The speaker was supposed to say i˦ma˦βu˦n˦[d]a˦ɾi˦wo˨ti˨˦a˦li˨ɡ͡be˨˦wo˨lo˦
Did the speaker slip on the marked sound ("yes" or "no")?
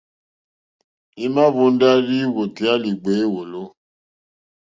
no